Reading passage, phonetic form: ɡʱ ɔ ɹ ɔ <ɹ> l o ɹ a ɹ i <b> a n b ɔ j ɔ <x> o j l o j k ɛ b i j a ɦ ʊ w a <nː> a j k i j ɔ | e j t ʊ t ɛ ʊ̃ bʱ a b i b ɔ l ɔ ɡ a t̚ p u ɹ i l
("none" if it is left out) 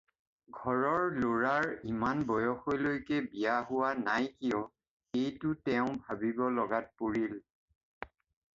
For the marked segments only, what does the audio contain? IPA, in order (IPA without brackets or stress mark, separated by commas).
ɹ, m, x, n